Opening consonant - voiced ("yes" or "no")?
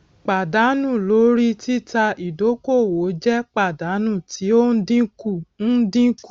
no